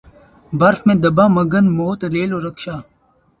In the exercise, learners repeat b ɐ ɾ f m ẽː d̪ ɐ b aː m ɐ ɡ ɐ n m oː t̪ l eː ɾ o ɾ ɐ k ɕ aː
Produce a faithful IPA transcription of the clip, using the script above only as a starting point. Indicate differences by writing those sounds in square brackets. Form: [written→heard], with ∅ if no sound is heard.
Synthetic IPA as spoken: b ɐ ɾ f m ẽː d̪ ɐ b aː m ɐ ɡ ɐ n m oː t̪ [l→ɾ] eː [ɾ→l] o ɾ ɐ k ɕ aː